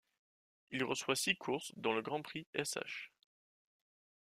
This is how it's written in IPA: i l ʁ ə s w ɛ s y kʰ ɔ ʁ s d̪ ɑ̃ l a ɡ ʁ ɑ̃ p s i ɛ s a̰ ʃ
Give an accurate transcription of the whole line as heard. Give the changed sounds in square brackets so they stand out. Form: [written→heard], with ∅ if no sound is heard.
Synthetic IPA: i l ʁ ə s w [ɛ→a] s [y→i] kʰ [ɔ→u] ʁ s d̪ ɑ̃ l [a→ə] ɡ ʁ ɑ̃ p [s→χ] i ɛ s a̰ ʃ